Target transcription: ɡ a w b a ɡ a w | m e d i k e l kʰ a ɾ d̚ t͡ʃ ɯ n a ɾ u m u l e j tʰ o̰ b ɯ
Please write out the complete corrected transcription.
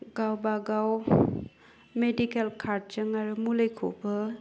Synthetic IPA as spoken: ɡ a w b a ɡ a w | m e d i k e l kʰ a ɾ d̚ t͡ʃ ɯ ŋ a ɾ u m u l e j kʰ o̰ b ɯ